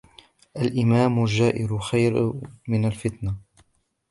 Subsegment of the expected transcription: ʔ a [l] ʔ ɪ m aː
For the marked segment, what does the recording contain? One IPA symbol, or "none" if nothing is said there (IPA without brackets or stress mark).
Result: l